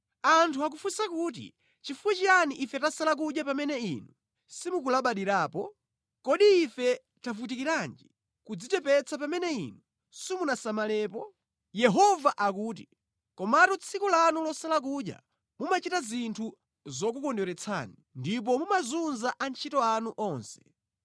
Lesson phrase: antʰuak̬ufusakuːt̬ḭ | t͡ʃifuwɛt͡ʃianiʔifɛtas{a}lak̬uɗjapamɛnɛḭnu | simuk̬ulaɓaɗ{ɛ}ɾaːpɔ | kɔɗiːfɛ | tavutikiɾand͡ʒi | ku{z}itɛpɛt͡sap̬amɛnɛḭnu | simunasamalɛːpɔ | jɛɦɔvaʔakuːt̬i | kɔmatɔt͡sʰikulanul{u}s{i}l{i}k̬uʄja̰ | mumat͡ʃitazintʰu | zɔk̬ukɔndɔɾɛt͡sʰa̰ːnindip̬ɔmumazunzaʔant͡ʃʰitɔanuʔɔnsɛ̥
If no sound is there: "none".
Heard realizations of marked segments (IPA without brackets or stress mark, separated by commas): a, i, d͡z, ɔ, a, a